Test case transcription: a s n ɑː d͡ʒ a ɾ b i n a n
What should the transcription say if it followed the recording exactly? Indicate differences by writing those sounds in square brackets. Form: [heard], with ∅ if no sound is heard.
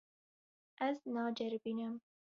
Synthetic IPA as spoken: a [z] n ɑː d͡ʒ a ɾ b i n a [m]

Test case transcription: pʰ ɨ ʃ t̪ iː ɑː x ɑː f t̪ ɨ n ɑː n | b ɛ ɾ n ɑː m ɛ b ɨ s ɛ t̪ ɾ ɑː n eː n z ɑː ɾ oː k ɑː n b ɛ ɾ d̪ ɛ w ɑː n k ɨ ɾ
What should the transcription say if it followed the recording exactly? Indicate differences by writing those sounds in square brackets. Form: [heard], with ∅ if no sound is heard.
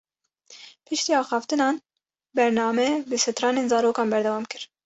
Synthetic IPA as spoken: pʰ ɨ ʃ t̪ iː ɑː x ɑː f t̪ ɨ n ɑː n | b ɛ ɾ n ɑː m ɛ b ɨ s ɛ t̪ ɾ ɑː n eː n z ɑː ɾ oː k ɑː n b ɛ ɾ d̪ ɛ w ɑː [m] k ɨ ɾ

